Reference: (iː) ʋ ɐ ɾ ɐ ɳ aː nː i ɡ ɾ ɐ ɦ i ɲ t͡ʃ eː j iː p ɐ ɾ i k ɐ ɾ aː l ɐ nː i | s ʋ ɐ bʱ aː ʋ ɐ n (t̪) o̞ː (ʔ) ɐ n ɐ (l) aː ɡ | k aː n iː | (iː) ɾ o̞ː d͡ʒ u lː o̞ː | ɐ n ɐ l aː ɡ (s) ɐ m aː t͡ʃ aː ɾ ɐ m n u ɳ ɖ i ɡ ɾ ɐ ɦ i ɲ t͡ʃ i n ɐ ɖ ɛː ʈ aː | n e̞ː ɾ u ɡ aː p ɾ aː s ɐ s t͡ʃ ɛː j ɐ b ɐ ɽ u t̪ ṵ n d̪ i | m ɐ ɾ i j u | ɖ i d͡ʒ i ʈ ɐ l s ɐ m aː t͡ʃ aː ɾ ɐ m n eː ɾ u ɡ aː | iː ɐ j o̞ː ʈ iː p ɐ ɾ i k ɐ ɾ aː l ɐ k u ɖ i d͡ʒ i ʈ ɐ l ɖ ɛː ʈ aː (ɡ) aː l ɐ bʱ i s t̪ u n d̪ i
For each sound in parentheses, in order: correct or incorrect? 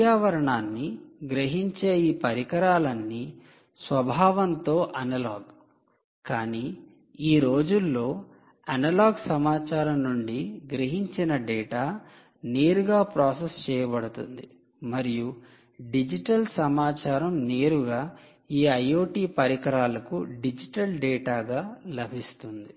incorrect, correct, correct, correct, correct, correct, correct

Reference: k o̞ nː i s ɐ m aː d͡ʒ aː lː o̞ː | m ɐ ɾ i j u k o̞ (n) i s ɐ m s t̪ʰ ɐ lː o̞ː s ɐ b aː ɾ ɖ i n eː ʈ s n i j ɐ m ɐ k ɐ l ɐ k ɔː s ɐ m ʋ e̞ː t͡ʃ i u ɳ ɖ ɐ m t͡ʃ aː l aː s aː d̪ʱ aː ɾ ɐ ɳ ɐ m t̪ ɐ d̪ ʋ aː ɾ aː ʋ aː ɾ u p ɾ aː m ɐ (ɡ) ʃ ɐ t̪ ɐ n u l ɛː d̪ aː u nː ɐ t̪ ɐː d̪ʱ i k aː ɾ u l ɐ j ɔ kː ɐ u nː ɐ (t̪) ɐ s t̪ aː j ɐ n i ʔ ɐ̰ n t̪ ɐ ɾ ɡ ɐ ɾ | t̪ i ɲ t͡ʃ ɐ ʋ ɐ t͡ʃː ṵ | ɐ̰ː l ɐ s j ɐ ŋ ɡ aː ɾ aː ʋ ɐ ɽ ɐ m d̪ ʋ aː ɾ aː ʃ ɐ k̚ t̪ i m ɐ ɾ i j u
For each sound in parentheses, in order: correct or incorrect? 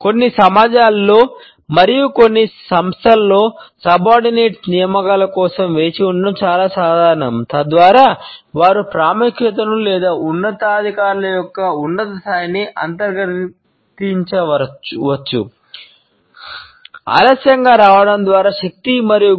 incorrect, incorrect, correct

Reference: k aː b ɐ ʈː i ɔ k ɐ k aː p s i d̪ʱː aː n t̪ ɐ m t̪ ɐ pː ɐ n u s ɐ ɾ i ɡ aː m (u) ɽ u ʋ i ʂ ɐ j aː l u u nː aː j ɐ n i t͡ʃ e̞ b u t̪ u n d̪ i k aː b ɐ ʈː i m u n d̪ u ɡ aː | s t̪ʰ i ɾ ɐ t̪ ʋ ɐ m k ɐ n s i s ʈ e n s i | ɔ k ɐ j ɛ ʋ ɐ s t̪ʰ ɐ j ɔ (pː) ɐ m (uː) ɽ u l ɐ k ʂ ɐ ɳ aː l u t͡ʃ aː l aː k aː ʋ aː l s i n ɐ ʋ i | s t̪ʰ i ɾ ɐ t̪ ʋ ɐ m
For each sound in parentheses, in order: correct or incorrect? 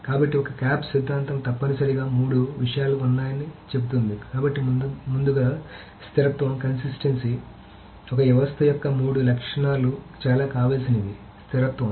incorrect, incorrect, correct

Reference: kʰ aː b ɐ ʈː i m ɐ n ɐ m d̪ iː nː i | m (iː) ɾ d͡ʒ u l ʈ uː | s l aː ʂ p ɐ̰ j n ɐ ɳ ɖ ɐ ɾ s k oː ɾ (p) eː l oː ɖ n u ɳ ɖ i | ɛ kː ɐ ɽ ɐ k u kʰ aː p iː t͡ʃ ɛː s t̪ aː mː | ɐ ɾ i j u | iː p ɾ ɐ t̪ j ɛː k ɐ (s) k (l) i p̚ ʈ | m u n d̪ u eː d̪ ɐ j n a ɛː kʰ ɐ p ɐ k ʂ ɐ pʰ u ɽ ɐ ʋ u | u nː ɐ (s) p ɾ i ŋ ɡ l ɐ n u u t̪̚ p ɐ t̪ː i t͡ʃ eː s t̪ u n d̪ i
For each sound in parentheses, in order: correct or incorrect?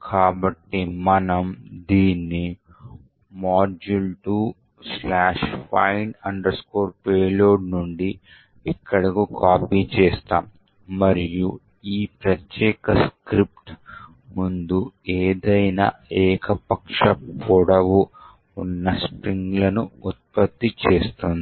incorrect, correct, correct, incorrect, correct

